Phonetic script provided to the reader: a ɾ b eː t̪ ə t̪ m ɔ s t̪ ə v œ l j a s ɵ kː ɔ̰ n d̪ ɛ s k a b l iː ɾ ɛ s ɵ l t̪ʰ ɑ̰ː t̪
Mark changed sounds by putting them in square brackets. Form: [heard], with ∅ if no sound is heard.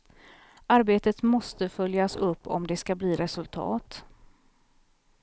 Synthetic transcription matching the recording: a ɾ b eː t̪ ə t̪ m ɔ s t̪ ə [f] œ l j a s ɵ [pː] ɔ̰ [m] d̪ ɛ s k a b l iː ɾ ɛ s ɵ l t̪ʰ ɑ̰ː t̪